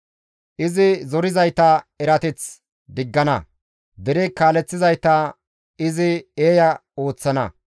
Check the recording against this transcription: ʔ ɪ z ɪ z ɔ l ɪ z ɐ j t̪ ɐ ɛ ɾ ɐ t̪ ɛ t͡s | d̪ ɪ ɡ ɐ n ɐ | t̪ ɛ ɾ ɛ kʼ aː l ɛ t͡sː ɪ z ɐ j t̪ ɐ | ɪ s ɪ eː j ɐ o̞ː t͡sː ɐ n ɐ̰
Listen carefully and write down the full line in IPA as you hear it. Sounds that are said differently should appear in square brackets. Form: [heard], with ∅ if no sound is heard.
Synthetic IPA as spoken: ʔ ɪ z ɪ z ɔ [ɾ] ɪ z ɐ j t̪ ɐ ɛ ɾ ɐ t̪ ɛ t͡s | d̪ ɪ [ɡː] ɐ n ɐ | [d̪] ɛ ɾ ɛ [k] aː l ɛ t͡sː ɪ z ɐ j t̪ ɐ | ɪ [z] ɪ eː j ɐ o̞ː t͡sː ɐ n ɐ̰